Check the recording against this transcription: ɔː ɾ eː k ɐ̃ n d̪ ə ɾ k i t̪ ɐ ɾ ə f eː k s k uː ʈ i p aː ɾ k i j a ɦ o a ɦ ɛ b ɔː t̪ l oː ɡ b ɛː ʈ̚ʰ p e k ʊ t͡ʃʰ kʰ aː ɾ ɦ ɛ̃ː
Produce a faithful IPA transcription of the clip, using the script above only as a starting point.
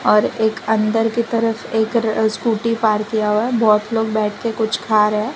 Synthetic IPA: ɔː ɾ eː k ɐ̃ n d̪ ə ɾ k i t̪ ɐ ɾ ə f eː k s k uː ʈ i p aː ɾ k i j a ɦ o a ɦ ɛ b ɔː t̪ l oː ɡ b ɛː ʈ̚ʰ k e k ʊ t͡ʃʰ kʰ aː ɾ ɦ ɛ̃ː